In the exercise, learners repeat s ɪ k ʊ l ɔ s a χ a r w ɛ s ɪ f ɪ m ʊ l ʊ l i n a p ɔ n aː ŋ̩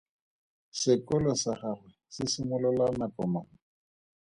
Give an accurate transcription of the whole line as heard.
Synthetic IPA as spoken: s ɪ k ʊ l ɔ s a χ a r w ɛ s ɪ s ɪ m ʊ l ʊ l a n a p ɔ m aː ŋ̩